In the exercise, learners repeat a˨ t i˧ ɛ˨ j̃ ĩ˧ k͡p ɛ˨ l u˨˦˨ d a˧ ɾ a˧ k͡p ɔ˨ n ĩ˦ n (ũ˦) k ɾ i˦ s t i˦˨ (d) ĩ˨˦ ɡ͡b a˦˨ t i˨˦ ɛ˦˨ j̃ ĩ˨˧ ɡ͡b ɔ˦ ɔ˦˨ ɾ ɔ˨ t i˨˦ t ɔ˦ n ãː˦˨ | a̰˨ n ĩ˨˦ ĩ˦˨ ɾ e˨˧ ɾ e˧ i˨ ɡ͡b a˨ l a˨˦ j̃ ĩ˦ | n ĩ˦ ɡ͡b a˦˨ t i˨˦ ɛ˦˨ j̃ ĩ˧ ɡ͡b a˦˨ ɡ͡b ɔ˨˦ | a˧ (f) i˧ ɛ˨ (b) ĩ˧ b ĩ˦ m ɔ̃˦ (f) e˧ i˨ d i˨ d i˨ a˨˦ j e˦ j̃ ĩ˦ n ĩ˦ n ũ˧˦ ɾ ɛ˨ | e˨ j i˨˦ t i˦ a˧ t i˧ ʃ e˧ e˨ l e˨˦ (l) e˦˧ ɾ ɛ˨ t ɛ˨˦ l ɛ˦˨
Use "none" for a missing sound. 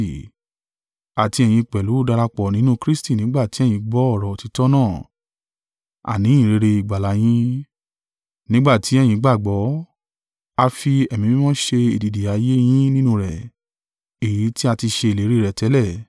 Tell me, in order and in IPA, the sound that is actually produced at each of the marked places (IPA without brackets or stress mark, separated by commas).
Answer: ũ˦, n, f, m, ʃ, ɾ